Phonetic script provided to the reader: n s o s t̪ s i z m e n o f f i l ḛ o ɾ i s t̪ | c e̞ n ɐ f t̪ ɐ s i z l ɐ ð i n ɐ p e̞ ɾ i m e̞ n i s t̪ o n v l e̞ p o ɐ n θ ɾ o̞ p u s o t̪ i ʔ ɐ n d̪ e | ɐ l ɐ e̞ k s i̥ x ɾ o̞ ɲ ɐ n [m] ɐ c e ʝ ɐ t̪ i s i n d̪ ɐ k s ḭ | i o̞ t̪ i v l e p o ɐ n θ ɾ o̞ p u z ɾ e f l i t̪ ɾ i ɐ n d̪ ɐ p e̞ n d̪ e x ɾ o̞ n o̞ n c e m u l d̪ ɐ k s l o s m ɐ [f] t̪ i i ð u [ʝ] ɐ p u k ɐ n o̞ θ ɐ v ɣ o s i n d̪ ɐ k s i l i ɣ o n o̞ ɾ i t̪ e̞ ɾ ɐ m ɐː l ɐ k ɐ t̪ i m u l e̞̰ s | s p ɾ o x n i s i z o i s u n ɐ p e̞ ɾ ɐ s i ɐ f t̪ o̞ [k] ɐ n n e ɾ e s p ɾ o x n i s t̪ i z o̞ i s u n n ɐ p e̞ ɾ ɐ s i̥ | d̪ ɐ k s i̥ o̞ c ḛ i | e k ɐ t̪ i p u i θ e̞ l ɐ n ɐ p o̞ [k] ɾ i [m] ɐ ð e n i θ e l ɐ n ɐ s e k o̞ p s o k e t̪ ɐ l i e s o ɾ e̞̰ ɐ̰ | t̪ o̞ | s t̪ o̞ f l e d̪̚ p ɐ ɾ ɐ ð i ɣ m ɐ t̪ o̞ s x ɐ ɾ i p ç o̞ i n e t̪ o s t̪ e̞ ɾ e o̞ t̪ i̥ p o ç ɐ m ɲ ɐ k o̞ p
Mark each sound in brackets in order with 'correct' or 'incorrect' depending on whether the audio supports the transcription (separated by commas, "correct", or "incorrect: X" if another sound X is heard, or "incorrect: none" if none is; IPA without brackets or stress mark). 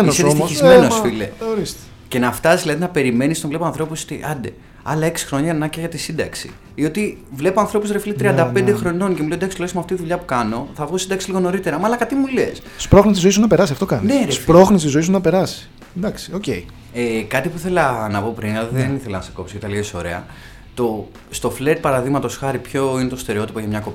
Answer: incorrect: n, correct, incorrect: ʎ, correct, incorrect: p, incorrect: n